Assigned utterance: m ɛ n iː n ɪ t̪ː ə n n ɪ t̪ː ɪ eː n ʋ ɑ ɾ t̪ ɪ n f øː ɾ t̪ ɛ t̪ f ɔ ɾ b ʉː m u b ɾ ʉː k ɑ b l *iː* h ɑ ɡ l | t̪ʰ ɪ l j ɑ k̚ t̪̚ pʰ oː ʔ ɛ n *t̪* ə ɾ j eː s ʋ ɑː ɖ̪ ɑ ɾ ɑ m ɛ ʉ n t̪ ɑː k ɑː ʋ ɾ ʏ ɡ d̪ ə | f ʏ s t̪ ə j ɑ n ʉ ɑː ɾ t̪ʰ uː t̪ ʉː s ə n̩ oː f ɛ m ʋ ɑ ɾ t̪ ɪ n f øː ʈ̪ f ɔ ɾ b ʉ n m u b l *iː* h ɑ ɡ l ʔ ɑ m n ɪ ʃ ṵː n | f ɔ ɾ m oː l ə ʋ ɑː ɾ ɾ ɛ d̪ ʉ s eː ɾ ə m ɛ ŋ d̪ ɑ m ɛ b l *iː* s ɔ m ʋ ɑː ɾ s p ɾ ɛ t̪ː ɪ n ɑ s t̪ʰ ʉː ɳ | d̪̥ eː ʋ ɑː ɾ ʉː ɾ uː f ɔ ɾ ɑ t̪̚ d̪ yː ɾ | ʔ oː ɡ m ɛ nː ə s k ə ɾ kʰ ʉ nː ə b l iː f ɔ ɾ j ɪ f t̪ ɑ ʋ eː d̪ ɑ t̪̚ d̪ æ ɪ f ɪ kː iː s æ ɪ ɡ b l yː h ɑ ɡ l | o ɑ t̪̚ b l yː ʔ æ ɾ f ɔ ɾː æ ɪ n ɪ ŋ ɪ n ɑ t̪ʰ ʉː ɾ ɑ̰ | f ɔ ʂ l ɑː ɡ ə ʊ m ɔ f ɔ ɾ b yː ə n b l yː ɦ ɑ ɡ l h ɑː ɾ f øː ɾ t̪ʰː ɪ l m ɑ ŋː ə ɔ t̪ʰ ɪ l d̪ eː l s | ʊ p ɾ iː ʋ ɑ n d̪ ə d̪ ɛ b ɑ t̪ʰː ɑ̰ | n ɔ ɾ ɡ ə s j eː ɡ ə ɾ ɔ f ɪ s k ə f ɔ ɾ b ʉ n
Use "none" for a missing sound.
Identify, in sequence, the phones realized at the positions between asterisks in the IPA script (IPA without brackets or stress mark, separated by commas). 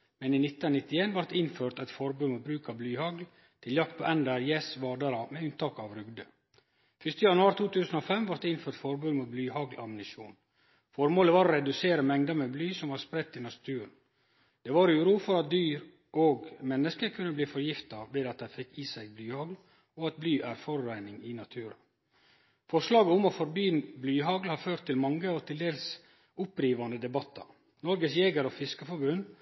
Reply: yː, d̪, yː, yː